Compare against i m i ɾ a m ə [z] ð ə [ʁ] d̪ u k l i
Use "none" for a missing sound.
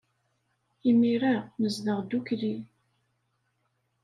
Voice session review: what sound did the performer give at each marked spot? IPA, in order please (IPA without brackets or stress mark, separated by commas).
z, ʁ